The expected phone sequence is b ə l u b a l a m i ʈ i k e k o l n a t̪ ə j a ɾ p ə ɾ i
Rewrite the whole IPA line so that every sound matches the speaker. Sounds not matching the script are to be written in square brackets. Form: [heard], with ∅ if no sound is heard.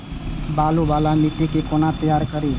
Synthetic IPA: b [a] l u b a l a m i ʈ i k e k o [∅] n a t̪ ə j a ɾ [k] ə ɾ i